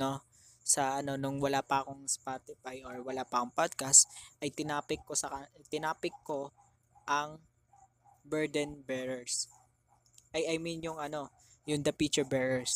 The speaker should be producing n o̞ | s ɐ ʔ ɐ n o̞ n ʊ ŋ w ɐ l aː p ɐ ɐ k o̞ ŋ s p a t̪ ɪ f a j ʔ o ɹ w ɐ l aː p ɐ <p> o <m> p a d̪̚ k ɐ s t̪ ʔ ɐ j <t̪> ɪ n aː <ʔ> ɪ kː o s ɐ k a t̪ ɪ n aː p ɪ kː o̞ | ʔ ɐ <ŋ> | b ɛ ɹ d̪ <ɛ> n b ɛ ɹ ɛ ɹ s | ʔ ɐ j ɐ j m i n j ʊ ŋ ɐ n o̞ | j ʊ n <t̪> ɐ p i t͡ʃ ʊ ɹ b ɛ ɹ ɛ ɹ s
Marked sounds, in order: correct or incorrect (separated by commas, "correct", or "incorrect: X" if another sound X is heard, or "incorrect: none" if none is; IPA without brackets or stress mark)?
incorrect: k, incorrect: ŋ, correct, incorrect: p, correct, correct, incorrect: d̪